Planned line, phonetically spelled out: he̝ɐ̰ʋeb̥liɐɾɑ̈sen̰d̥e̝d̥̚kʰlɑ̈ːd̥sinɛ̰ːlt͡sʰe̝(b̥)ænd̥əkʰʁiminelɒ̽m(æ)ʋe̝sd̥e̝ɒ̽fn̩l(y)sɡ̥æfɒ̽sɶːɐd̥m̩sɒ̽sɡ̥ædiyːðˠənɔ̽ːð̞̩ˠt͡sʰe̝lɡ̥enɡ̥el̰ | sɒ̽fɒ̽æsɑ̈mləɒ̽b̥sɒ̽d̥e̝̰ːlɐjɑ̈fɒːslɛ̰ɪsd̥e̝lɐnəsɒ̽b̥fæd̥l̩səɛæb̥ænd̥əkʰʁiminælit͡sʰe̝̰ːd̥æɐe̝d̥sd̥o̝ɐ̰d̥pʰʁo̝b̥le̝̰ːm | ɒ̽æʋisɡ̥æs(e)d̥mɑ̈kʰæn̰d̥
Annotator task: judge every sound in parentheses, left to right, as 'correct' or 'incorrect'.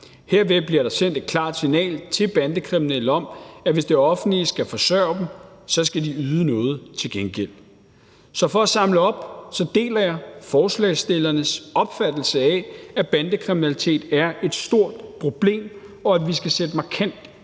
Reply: correct, correct, incorrect: i, correct

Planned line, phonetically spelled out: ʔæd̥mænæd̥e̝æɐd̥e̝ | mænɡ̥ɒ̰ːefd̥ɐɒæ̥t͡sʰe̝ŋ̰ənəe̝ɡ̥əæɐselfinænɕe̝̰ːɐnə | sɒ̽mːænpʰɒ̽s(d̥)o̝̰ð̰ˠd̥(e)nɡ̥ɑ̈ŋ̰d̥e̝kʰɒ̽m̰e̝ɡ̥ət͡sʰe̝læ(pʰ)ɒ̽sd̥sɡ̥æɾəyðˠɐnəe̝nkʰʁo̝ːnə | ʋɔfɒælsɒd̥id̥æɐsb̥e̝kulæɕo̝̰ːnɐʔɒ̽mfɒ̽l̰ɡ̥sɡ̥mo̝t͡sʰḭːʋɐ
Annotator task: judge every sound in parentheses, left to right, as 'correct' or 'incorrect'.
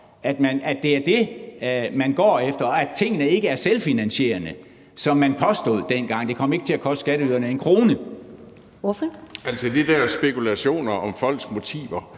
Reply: correct, correct, incorrect: kʰ

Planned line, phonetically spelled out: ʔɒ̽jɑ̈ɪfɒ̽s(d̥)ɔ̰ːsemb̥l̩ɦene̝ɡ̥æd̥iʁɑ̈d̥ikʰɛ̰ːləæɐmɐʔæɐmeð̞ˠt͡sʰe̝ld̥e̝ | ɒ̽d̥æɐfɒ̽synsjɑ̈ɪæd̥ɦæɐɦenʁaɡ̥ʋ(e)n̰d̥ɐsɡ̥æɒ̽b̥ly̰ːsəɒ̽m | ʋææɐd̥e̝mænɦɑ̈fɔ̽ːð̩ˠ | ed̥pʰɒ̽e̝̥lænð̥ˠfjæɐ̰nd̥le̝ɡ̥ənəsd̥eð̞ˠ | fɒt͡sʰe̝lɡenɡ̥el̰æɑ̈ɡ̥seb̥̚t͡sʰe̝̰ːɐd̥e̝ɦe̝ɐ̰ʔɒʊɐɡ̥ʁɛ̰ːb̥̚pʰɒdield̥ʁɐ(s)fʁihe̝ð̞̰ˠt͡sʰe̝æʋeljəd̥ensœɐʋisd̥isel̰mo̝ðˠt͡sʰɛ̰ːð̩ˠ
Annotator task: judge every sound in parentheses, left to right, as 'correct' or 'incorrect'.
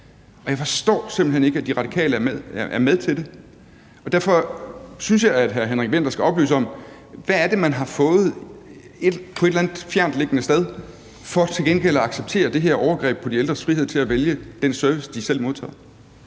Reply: correct, correct, correct

